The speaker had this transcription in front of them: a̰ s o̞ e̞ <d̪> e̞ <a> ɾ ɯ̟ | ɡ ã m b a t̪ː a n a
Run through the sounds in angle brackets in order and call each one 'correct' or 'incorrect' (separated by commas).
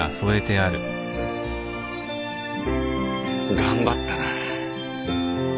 incorrect, correct